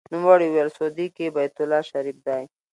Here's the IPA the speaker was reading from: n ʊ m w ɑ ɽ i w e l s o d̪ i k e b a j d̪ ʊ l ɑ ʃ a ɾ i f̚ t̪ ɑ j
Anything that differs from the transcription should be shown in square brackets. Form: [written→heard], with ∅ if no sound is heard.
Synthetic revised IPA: n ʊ m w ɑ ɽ i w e l s o d̪ i k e b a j [d̪→t̪] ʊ l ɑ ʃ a ɾ i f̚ [t̪→d̪] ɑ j